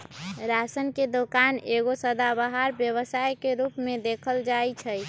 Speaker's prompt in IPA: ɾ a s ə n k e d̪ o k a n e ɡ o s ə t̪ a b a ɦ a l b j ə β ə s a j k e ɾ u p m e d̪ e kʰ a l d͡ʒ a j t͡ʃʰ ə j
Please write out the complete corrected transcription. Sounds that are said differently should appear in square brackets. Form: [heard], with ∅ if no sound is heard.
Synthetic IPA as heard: ɾ a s ə n k e d̪ o k a n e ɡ o s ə [d̪] a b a ɦ a [ɾ] b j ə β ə s a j k e ɾ u p m e d̪ e kʰ [ə] l d͡ʒ a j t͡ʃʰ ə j